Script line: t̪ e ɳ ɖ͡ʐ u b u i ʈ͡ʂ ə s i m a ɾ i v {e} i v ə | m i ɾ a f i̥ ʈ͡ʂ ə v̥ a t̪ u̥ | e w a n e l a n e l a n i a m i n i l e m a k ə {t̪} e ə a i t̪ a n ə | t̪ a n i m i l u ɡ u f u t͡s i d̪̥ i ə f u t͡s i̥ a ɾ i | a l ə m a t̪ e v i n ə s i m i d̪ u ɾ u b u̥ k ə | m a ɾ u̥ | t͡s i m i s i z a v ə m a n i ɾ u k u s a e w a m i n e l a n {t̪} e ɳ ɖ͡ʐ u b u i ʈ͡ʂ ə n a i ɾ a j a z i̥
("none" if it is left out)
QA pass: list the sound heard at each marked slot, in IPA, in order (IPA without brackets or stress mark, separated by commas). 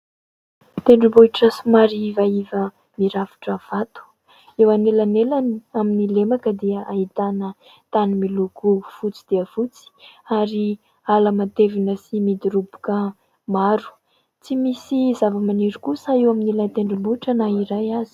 a, d̪, t̪